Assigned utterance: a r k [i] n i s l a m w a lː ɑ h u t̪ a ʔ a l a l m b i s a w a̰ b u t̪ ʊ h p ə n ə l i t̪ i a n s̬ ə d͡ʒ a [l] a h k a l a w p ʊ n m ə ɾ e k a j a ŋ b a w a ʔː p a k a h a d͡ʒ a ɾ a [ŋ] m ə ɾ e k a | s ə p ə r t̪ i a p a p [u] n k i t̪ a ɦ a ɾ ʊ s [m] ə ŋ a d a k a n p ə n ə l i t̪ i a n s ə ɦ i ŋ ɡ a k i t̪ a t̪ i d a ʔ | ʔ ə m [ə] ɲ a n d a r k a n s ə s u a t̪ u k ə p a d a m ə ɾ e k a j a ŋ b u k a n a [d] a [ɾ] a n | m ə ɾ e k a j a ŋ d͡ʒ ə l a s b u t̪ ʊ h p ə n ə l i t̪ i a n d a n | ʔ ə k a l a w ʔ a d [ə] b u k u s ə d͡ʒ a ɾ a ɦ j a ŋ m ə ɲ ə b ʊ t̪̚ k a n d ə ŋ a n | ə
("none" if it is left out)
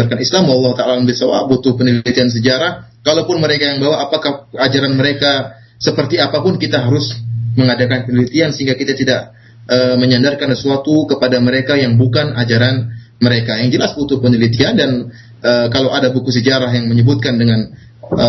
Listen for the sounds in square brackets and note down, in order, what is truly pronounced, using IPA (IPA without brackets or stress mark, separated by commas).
a, ɾ, n, ʊ, m, ə, d͡ʒ, ɾ, a